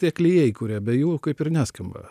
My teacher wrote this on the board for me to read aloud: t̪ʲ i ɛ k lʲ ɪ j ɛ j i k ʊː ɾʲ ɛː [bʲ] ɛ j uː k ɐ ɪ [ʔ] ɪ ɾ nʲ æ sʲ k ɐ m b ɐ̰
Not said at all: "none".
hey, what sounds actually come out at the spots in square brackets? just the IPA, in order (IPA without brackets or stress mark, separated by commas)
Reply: bʲ, p